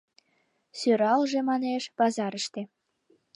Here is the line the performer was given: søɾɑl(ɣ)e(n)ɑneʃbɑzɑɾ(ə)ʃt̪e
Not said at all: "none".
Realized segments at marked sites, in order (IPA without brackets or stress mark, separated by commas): ʒ, m, ə